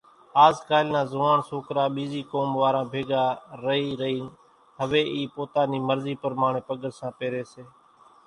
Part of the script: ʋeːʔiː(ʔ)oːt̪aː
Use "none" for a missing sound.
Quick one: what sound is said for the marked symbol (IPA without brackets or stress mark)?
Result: p